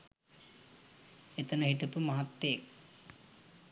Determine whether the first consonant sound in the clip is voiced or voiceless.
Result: voiceless